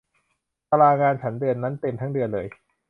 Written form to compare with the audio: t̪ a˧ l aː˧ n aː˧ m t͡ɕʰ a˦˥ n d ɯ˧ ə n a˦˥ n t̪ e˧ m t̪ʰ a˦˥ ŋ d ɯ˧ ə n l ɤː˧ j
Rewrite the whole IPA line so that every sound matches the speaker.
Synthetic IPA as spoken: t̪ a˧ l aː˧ ŋ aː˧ n t͡ɕʰ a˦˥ n d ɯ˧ ə nː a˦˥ n t̪ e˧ m t̪ʰ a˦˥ ŋ d ɯ˧ ə n l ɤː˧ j

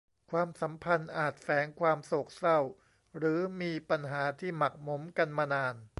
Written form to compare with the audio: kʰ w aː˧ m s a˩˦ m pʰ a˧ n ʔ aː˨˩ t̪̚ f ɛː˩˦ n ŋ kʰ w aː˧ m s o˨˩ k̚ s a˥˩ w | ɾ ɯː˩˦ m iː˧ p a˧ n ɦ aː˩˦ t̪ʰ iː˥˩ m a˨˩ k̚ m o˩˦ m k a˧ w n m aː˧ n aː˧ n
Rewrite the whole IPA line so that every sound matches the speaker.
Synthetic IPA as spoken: kʰ w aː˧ m s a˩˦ m pʰ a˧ n ʔ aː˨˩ t̪̚ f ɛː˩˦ ŋ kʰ w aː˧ m s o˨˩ k̚ s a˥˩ w | ɾ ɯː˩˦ m iː˧ p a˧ n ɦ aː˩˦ t̪ʰ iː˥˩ m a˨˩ k̚ m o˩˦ m k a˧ n m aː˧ n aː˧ n

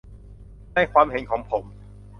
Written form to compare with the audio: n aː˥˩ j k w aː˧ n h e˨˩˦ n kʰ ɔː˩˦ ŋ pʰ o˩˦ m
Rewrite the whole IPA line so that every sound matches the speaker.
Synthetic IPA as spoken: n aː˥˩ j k w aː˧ m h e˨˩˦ n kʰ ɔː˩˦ ŋ pʰ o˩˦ m

